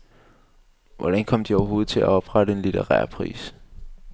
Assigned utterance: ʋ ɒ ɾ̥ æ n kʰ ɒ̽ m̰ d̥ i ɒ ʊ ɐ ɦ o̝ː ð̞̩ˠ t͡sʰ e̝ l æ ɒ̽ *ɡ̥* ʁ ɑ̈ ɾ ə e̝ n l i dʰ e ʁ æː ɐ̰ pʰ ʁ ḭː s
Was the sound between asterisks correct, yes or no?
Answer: no